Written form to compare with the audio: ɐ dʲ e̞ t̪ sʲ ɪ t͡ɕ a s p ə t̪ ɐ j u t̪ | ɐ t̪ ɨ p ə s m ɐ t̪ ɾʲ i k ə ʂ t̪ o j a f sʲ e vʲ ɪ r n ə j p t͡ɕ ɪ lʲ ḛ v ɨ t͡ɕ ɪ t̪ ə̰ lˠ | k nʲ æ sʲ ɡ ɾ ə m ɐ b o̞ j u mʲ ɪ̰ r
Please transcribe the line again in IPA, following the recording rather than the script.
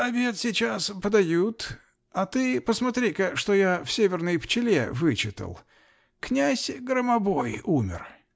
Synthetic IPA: ɐ bʲ e̞ t̪ sʲ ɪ t͡ɕ a s p ə d̪ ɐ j u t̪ | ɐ t̪ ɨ p ə s m ɐ t̪ ɾʲ i k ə ʂ t̪ o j a f sʲ e vʲ ɪ r n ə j p t͡ɕ ɪ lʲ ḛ v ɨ t͡ɕ ɪ t̪ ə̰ lˠ | k nʲ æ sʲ ɡ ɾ ə m ɐ b o̞ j u mʲ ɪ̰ r